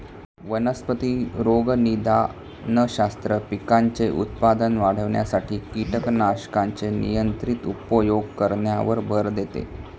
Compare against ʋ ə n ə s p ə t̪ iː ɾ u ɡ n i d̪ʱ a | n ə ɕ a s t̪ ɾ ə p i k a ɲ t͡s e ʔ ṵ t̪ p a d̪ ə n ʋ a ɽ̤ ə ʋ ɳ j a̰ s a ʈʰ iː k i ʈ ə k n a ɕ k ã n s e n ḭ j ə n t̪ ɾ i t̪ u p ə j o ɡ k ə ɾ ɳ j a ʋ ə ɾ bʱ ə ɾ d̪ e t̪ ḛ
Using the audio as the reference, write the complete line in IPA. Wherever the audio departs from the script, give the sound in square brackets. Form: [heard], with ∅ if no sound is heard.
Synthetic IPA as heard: ʋ ə n ə s p ə t̪ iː ɾ [o] ɡ n i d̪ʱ a | n ə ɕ a s t̪ ɾ ə p i k a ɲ t͡s e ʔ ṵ t̪ p a d̪ ə n ʋ a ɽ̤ ə ʋ ɳ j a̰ s a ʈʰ iː k i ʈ ə k n a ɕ k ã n [t͡s] e n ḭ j ə n t̪ ɾ i t̪ u p ə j o ɡ k ə ɾ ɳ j a ʋ ə ɾ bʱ ə ɾ d̪ e t̪ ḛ

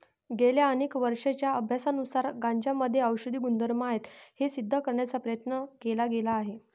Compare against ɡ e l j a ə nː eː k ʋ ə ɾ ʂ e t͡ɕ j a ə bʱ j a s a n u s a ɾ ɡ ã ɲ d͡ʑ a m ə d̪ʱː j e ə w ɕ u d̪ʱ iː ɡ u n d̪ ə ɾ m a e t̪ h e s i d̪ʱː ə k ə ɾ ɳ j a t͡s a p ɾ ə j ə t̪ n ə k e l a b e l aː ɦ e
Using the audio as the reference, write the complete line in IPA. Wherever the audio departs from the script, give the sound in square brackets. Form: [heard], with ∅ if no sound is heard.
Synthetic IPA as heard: ɡ e l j a ə [n] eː k ʋ ə ɾ ʂ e t͡ɕ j a ə bʱ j a s a n u s a ɾ ɡ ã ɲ d͡ʑ a m ə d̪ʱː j e ə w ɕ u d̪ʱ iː ɡ u n d̪ ə ɾ m a e t̪ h e s i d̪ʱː ə k ə ɾ ɳ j a t͡s a p ɾ ə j ə t̪ n ə k e l a [ɡ] e l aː ɦ e

